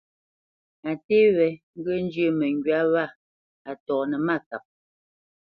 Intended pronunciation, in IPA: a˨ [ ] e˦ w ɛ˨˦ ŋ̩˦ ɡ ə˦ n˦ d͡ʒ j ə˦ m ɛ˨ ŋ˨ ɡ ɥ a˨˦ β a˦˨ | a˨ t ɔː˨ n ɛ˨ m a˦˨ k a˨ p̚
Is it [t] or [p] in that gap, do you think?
t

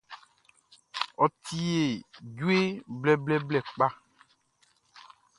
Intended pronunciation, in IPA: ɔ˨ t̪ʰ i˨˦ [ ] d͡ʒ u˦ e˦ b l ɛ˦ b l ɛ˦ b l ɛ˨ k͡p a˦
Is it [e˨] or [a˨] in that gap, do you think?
e˨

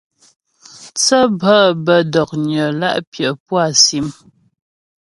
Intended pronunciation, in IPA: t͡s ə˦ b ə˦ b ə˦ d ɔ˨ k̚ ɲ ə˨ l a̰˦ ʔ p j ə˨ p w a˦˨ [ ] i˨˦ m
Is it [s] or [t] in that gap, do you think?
s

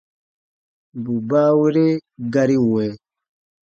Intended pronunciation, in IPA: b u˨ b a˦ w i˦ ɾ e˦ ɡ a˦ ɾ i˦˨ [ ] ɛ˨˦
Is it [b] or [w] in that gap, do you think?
w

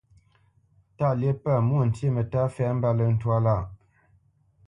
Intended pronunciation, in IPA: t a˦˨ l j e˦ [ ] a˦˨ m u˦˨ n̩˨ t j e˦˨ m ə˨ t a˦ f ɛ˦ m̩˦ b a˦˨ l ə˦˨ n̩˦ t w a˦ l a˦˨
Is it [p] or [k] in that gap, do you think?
p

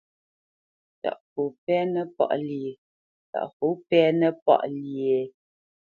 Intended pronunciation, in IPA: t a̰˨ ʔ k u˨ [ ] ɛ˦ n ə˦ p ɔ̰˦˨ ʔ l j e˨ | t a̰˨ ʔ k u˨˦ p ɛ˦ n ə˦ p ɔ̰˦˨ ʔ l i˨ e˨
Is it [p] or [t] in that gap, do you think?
p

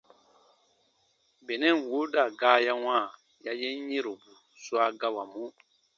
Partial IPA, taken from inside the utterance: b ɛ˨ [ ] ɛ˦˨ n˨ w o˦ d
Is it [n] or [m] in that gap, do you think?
n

